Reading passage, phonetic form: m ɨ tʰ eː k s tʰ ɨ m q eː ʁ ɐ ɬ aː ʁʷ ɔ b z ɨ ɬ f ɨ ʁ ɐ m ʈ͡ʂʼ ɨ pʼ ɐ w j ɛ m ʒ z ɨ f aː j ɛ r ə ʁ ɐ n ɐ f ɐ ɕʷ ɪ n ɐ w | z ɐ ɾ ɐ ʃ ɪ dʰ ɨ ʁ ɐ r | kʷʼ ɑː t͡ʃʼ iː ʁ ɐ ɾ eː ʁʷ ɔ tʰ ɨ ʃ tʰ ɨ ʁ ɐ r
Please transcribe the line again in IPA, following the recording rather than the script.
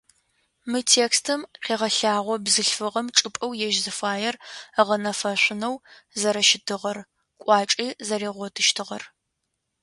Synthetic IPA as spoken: m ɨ tʰ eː k s tʰ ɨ m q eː ʁ ɐ ɬ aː ʁʷ ɔ b z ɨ ɬ f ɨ ʁ ɐ m ʈ͡ʂʼ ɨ pʼ ɐ w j ɛ ʒ z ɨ f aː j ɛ r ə ʁ ɐ n ɐ f ɐ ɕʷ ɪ n ɐ w | z ɐ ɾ ɐ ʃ ɪ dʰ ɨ ʁ ɐ r | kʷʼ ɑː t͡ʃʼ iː z ɐ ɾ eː ʁʷ ɔ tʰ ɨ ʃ tʰ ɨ ʁ ɐ r

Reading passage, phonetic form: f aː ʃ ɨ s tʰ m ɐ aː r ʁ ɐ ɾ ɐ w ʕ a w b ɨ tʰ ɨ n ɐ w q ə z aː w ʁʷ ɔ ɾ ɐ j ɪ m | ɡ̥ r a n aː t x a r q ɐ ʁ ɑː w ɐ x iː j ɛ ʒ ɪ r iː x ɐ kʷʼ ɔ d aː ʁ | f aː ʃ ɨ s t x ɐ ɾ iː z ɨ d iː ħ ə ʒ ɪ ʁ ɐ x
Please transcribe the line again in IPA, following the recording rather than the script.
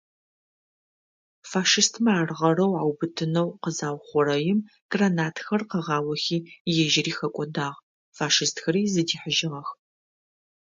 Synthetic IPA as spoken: f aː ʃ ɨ s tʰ m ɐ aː r ʁ ɐ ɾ ɐ w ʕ a w b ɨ tʰ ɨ n ɐ w q ə z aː w χʷ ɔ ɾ ɐ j ɪ m | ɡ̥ r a n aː t x ɐ r q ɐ ʁ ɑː w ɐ x iː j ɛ ʒ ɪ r iː x ɐ kʷʼ ɔ d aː ʁ | f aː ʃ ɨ s t x ɐ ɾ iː z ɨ d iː ħ ə ʒ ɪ ʁ ɐ x

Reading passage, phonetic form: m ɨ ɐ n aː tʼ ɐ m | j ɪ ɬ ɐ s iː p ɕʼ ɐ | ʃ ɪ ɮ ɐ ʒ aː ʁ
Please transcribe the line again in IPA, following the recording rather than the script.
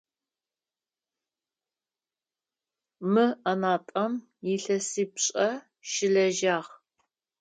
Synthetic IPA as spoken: m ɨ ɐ n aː tʼ ɐ m | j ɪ ɬ ɐ s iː p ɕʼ ɐ | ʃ ɪ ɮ ɐ ʒ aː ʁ

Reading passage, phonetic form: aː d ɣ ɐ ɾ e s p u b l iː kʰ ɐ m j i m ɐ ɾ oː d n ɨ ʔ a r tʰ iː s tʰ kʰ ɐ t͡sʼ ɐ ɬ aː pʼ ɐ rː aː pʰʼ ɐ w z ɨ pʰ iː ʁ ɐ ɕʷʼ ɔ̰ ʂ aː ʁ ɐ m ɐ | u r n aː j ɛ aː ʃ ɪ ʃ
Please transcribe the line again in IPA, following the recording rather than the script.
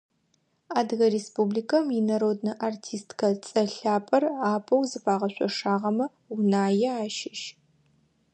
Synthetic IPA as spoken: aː d ɣ ɐ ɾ e s p u b l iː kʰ ɐ m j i n ɐ ɾ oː d n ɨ ʔ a r tʰ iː s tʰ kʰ ɐ t͡sʼ ɐ ɬ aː pʼ ɐ r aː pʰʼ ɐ w z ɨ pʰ aː ʁ ɐ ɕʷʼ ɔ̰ ʂ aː ʁ ɐ m ɐ | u n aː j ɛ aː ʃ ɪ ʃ

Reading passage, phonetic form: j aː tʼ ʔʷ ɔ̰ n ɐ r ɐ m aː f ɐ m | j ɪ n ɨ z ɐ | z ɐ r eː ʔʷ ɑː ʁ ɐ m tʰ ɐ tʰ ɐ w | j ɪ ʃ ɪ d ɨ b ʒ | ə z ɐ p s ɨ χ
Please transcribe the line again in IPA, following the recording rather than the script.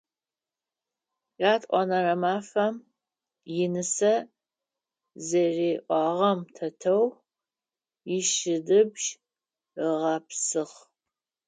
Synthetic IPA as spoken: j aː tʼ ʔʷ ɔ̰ n ɐ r ɐ m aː f ɐ m | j ɪ n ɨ s ɐ | z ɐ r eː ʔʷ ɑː ʁ ɐ m tʰ ɐ tʰ ɐ w | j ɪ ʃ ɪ d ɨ b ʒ | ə ʁ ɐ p s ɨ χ

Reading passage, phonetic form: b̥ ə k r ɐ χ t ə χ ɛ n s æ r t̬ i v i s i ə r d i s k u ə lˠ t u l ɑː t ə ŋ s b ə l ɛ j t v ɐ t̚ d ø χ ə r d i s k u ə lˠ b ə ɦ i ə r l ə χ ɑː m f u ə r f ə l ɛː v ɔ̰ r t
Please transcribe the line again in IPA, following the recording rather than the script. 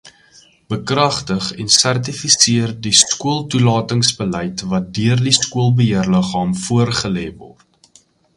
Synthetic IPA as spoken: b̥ ə k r ɐ χ t ə χ ɛ n s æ r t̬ i f i s i ə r d i s k u ə lˠ t u l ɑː t ə ŋ s b ə l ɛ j t v ɐ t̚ d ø ə r d i s k u ə lˠ b ə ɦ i ə r l ə χ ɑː m f u ə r χ ə l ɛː v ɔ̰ r t

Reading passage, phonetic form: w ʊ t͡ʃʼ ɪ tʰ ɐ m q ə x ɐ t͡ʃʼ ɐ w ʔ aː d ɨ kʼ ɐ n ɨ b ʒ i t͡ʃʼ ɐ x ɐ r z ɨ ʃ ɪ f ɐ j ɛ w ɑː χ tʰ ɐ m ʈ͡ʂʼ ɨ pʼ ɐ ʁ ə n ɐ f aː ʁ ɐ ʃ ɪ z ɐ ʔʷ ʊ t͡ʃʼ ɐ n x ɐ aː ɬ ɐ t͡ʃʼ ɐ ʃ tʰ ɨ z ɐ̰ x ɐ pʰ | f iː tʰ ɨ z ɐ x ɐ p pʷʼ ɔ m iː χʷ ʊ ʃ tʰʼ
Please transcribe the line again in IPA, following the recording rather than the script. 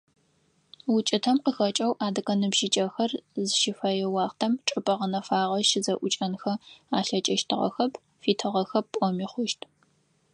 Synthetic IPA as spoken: w ʊ t͡ʃʼ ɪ tʰ ɐ m q ə x ɐ t͡ʃʼ ɐ w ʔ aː d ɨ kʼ ɐ n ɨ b ʒ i t͡ʃʼ ɐ x ɐ r z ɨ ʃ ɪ f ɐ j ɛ w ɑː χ tʰ ɐ m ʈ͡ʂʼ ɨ pʼ ɐ ʁ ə n ɐ f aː ʁ ɐ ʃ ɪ z ɐ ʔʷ ʊ t͡ʃʼ ɐ n x ɐ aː ɬ ɐ t͡ʃʼ ɐ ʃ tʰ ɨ ʁ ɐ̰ x ɐ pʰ | f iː tʰ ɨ ʁ ɐ x ɐ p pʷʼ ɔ m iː χʷ ʊ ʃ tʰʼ

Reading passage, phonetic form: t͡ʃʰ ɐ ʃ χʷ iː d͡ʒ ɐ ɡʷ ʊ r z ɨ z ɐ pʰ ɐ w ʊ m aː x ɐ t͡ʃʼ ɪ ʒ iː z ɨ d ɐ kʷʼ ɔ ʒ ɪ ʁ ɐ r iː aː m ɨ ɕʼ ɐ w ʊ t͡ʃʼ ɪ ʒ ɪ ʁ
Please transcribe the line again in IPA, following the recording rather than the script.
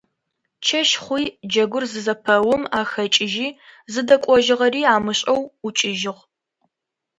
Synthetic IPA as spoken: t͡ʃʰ ɐ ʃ χʷ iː d͡ʒ ɐ ɡʷ ʊ r z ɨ z ɐ pʰ ɐ w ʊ m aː x ɐ t͡ʃʼ ɪ ʒ iː z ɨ d ɐ kʷʼ ɔ ʒ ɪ ʁ ɐ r iː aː m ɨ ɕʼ ɐ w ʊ t͡ʃʼ ɪ ʒ ɪ ʁ

